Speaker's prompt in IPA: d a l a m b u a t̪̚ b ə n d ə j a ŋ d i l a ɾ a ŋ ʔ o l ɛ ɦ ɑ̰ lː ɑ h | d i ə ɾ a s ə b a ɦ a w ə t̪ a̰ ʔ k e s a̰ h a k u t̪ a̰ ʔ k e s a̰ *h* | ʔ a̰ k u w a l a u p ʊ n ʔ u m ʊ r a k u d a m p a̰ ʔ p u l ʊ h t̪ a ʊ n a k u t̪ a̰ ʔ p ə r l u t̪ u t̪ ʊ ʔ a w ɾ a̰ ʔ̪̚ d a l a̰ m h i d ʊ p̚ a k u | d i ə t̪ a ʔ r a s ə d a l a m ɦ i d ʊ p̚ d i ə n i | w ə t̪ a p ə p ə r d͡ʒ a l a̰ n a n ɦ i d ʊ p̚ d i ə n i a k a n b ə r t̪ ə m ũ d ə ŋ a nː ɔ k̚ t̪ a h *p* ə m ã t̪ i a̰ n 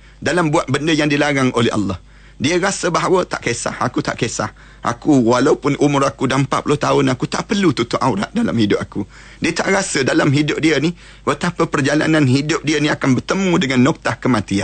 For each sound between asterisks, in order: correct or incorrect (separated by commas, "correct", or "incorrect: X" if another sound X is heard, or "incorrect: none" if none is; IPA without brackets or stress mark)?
correct, incorrect: k